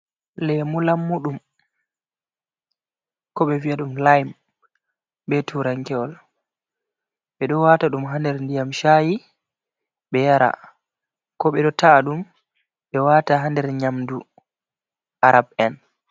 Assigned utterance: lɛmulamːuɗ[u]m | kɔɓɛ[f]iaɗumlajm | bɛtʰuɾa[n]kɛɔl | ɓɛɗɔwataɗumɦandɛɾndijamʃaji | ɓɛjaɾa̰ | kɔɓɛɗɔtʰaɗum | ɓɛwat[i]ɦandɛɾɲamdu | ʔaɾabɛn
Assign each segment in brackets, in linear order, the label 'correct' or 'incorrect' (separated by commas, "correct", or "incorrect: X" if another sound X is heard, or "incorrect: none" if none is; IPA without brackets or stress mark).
correct, incorrect: v, incorrect: ŋ, incorrect: a